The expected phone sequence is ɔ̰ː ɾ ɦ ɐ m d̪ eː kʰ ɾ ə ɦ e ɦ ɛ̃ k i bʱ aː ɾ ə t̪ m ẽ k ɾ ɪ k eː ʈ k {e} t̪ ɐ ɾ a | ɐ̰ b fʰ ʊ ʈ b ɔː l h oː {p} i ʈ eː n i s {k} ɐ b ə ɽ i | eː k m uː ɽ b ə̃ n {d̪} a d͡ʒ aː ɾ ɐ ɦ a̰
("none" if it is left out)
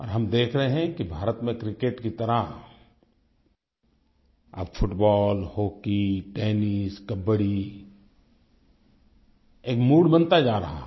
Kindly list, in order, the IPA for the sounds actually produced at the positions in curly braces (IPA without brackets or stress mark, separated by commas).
i, k, k, t̪